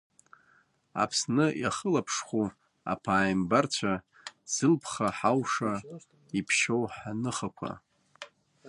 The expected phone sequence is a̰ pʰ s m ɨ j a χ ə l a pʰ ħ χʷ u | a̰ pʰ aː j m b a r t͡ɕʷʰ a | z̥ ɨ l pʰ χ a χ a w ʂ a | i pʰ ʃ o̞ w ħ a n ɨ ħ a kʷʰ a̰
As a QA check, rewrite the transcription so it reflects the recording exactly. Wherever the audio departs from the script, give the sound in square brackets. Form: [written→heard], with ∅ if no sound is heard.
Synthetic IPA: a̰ pʰ s [m→n] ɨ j a χ ə l a pʰ [ħ→ʂ] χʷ u | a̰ pʰ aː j m b a r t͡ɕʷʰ a | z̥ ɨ l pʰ χ a [χ→ħ] a w ʂ a | i pʰ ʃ o̞ w ħ a n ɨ [ħ→χ] a kʷʰ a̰